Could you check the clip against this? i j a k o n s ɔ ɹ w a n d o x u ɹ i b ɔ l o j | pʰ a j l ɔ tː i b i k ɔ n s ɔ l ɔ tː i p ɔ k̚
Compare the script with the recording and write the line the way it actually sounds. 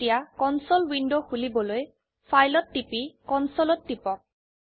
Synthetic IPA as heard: i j a k ɔ n s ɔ l w i n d o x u l i b ɔ l o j | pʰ a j l ɔ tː i p i k ɔ n s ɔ l ɔ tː i p ɔ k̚

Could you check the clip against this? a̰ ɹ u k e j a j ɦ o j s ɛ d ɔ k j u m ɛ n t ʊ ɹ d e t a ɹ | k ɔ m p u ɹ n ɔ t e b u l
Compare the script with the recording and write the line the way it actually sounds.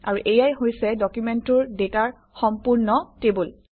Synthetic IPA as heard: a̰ ɹ u ʔ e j a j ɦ o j s ɛ d ɔ k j u m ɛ n t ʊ ɹ d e t a ɹ | x ɔ m p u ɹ n ɔ t e b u l

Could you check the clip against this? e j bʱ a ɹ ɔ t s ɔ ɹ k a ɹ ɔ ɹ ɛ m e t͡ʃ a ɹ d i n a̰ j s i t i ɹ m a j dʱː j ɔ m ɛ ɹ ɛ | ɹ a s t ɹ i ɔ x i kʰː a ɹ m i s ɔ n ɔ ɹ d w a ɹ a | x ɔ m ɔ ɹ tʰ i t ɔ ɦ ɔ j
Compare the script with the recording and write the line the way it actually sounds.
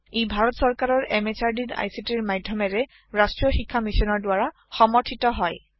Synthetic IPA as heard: e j bʱ a ɹ ɔ t s ɔ ɹ k a ɹ ɔ ɹ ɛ m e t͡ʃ a ɹ d i n a̰ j s i t i ɹ m a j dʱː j ɔ m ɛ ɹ ɛ | ɹ a s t ɹ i ɔ x i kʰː a m i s ɔ n ɔ ɹ d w a ɹ a | x ɔ m ɔ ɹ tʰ i t ɔ ɦ ɔ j

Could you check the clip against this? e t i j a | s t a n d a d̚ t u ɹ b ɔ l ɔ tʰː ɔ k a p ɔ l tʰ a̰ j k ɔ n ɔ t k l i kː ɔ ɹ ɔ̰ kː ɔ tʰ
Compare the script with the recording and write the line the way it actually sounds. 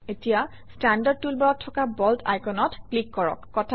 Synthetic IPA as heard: e t i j a | s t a n d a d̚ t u l b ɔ ɹ ɔ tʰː ɔ k a b ɔ l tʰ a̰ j k ɔ n ɔ t k l i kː ɔ ɹ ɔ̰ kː ɔ tʰ

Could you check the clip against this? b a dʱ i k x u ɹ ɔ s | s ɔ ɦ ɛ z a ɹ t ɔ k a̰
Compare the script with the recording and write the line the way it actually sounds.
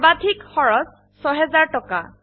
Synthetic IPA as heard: b a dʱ i k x ɔ ɹ ɔ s | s ɔ ɦ ɛ z a ɹ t ɔ k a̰

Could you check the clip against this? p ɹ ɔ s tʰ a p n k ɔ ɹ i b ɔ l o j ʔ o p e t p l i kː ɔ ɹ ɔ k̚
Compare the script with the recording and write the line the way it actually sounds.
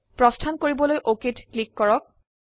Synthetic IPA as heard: p ɹ ɔ s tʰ a n k o ɹ i b ɔ l o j ʔ o k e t k l i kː ɔ ɹ ɔ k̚

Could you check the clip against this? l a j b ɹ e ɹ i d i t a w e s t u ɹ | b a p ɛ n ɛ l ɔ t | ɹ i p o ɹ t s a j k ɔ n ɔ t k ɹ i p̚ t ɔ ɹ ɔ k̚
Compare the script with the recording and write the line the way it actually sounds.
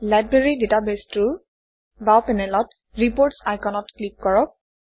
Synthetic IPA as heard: l a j b ɹ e ɹ i d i t a b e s t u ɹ | b a p ɛ n ɛ l ɔ t | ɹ i p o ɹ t s a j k ɔ n ɔ t k l i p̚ k ɔ ɹ ɔ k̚

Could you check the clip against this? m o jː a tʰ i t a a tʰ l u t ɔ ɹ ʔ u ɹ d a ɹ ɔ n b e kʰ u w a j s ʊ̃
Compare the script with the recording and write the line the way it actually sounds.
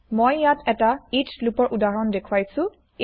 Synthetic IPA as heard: m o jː a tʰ ɛ t a i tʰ l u p ɔ ɹ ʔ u d a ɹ ɔ n d e kʰ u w a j s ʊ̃

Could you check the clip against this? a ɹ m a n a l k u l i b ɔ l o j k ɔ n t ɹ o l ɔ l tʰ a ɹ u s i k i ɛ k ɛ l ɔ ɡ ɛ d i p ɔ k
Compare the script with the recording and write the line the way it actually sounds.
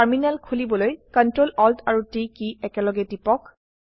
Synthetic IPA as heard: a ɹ m i n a l kʰ u l i b ɔ l o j k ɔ n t ɹ o l ɔ l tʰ a ɹ u t i k i ɛ k ɛ l ɔ ɡ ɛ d i p ɔ k

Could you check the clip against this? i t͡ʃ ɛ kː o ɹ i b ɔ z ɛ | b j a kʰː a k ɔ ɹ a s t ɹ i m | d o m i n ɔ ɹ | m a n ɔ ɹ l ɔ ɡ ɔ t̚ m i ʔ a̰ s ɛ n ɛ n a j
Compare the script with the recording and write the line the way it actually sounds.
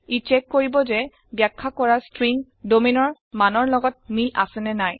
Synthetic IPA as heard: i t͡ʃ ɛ kː o ɹ i b ɔ z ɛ | b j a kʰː a k ɔ ɹ a s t ɹ i ŋ | d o m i n ɔ ɹ | m a n ɔ ɹ l ɔ ɡ ɔ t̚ m i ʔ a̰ s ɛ n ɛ n a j

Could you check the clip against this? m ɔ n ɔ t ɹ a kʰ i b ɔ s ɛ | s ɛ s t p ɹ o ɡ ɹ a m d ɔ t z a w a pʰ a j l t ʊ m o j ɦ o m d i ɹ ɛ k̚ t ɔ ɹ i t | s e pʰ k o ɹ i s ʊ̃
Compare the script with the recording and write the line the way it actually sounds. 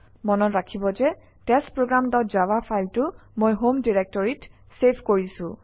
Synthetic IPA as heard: m ɔ n ɔ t ɹ a kʰ i b ɔ z ɛ | t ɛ s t p ɹ o ɡ ɹ a m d ɔ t z a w a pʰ a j l t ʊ m o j ɦ o m d i ɹ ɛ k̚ t ɔ ɹ i t | s e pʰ k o ɹ i s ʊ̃

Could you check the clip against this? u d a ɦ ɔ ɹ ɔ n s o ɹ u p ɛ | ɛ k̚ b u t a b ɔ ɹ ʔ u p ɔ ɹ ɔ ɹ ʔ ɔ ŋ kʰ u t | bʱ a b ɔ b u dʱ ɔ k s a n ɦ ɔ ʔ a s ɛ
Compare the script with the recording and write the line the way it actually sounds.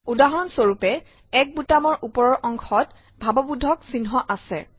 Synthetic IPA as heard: u d a ɦ ɔ ɹ ɔ n s o ɹ u p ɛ | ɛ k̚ b u t a m ɔ ɹ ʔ u p ɔ ɹ ɔ ɹ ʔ ɔ ŋ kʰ ɔ t | bʱ a b ɔ b u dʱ ɔ k s i n ɦ ɔ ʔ a s ɛ

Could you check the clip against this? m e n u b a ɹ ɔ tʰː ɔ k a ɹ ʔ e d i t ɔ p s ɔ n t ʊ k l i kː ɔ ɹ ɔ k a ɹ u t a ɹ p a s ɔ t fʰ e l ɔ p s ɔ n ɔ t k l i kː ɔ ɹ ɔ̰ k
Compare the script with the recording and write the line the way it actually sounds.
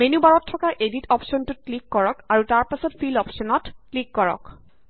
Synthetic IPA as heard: m e n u b a ɹ ɔ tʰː ɔ k a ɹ ʔ e d i t ɔ p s ɔ n t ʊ k l i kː ɔ ɹ ɔ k a ɹ u t a ɹ p a s ɔ t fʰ i l ɔ p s ɔ n ɔ t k l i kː ɔ ɹ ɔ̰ k

